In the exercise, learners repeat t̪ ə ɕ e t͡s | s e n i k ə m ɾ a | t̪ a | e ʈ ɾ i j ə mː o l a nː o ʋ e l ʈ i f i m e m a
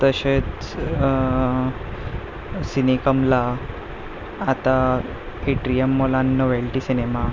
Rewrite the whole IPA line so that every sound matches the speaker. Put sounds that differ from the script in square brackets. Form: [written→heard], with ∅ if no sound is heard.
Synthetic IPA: t̪ ə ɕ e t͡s | s [e→i] n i k ə m [ɾ→l] a | t̪ a | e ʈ ɾ i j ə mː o l a nː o ʋ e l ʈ i [f→s] i [m→n] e m a